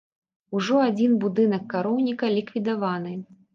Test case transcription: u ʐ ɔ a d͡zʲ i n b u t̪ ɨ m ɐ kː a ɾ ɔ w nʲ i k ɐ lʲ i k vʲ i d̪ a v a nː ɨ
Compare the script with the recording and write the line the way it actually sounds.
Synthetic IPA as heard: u ʐ ɔ a d͡zʲ i n b u d̪ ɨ n ɐ kː a ɾ ɔ w nʲ i k ɐ lʲ i k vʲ i d̪ a v a n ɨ